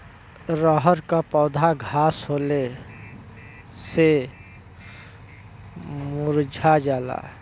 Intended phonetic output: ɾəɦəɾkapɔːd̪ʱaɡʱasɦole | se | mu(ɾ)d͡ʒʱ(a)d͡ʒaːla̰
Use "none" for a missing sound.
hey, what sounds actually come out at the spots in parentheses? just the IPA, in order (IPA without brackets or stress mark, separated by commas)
ɾ, a